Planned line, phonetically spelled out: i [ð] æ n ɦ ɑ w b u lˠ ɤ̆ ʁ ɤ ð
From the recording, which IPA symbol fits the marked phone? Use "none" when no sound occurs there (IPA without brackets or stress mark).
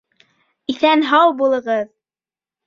θ